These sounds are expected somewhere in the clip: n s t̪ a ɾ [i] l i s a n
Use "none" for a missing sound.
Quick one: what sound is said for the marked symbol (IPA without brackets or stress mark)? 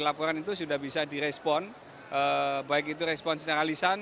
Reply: a